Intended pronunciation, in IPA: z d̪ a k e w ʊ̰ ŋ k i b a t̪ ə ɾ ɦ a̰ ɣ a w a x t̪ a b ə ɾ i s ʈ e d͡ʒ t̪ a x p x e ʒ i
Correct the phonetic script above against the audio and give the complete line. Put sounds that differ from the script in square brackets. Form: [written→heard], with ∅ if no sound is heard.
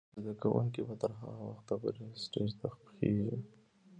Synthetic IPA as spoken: z d̪ a k [e→a] w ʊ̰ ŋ k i b a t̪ ə ɾ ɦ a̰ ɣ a w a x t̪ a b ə ɾ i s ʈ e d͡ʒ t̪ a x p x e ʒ i